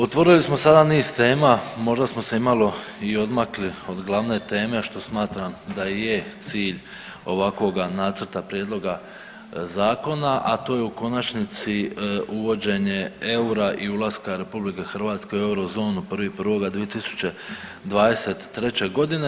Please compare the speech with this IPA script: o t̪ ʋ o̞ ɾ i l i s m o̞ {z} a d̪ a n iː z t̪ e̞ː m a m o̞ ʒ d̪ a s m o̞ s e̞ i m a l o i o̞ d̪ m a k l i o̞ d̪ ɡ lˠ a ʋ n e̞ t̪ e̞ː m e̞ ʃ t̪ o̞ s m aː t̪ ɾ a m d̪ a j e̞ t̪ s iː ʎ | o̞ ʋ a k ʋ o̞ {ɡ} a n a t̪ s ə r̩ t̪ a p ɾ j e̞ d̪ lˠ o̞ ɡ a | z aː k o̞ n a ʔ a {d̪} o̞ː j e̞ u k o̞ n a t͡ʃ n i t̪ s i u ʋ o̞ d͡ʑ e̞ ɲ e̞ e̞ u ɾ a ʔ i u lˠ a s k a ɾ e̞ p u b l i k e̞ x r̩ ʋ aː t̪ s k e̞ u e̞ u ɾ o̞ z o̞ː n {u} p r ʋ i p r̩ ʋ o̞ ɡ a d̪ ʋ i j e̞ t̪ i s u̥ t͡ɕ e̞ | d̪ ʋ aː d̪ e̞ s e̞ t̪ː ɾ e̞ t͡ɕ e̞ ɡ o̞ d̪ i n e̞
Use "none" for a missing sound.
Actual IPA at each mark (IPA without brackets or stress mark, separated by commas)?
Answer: s, ɡ, t̪, u